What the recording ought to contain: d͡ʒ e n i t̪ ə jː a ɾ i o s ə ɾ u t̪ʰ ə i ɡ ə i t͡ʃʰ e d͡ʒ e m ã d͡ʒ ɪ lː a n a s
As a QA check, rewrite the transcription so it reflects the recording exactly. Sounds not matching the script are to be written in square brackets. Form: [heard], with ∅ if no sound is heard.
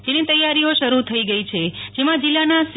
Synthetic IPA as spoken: d͡ʒ e n i t̪ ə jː a ɾ i o [ʃ] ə ɾ u t̪ʰ ə i ɡ ə i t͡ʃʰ e d͡ʒ e m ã d͡ʒ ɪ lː a n a s